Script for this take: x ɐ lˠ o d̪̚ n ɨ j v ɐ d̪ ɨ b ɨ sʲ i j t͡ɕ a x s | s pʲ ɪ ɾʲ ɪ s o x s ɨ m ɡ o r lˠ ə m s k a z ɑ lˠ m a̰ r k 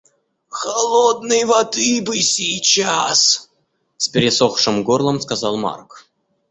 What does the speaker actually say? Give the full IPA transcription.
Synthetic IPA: x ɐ lˠ o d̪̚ n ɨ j v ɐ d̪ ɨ b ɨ sʲ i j t͡ɕ a s | s pʲ ɪ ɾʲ ɪ s o x ʂ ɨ m ɡ o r lˠ ə m s k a z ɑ lˠ m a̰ r k